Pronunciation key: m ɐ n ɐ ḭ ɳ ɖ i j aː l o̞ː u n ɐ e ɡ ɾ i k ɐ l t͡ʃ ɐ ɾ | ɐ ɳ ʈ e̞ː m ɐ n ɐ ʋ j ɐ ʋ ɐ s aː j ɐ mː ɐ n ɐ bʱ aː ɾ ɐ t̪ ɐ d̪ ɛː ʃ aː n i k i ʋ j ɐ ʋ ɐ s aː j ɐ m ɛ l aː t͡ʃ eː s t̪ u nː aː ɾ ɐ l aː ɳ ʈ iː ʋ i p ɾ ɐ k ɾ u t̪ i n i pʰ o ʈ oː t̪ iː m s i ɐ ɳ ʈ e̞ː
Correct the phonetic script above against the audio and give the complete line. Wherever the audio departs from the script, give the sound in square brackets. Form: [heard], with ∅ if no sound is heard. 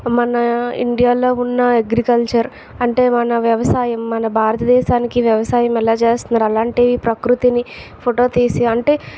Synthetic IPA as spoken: m ɐ n ɐ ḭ ɳ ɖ i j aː l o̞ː u [nː] ɐ e ɡ ɾ i k ɐ l t͡ʃ ɐ ɾ | ɐ ɳ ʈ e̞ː m ɐ n ɐ ʋ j ɐ ʋ ɐ s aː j ɐ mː ɐ n ɐ bʱ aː ɾ ɐ t̪ ɐ d̪ ɛː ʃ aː n i k i ʋ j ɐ ʋ ɐ s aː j ɐ m ɛ l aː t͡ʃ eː s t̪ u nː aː ɾ ɐ l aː ɳ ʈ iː ʋ i p ɾ ɐ k ɾ u t̪ i n i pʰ o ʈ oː t̪ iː [∅] s i ɐ ɳ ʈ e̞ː